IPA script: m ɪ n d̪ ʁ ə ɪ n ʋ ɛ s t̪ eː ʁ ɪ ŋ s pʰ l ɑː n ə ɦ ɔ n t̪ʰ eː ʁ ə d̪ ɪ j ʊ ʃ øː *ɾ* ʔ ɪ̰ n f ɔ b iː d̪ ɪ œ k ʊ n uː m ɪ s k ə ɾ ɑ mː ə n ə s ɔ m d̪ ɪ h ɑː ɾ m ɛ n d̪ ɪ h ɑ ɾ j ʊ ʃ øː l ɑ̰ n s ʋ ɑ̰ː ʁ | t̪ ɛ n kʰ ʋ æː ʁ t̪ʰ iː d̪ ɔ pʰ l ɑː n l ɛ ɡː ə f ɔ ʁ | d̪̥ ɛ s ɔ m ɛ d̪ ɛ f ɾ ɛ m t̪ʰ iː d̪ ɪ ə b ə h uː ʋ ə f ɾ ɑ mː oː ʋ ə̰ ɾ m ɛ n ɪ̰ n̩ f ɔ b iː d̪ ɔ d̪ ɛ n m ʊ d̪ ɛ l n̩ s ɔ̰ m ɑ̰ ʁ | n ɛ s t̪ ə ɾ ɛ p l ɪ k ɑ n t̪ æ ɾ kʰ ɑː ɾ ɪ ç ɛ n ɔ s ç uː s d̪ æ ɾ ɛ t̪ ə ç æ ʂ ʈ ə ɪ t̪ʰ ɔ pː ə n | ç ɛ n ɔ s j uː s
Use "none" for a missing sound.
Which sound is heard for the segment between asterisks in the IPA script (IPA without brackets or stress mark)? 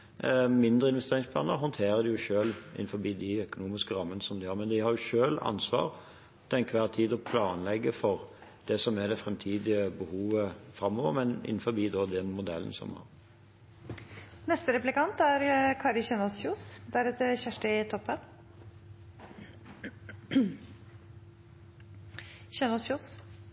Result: l